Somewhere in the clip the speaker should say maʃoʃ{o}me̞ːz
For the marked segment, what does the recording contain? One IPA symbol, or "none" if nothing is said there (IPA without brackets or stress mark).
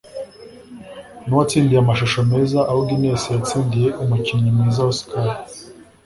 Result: o